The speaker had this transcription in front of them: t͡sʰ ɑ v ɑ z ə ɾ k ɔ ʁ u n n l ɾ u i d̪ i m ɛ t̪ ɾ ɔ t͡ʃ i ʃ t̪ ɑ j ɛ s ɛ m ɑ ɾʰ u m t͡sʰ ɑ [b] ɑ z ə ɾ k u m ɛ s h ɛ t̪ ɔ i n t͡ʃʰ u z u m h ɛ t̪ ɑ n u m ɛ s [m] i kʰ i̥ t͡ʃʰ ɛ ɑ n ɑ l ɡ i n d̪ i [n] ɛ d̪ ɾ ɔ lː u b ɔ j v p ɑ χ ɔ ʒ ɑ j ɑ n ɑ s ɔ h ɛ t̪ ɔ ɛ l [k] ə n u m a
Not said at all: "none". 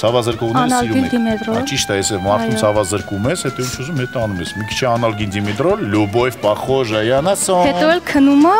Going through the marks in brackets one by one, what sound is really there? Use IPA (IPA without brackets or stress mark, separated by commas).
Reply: v, m, m, kʰ